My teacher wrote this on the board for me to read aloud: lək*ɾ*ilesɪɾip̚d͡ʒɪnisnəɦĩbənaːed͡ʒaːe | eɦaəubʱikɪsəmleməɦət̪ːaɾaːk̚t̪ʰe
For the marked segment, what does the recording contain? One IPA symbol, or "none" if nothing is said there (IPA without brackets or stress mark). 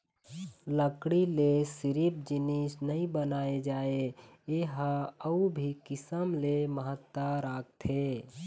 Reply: ɽ